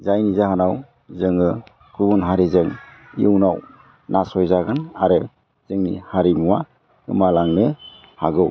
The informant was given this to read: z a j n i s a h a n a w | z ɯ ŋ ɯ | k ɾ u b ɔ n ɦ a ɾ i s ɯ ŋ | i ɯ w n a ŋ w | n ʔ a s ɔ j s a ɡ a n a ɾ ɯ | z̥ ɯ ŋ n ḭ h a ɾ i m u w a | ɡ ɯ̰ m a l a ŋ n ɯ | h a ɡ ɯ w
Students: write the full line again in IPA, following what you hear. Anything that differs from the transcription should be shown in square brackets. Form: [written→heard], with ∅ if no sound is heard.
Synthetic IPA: z a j n i [s→z] a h a n a w | z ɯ ŋ ɯ | k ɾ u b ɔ n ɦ a ɾ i [s→z] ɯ ŋ | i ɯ w n a [ŋ→∅] w | n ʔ a s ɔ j [s→z] a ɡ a n a ɾ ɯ | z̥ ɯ ŋ n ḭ h a ɾ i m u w a | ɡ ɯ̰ m a l a ŋ n ɯ | h a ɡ ɯ w